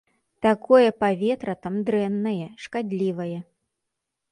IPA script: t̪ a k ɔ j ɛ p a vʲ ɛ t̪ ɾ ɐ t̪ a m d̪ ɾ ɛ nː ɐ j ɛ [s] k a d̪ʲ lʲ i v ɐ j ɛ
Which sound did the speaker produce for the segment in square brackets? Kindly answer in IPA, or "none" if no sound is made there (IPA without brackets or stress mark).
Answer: ʂ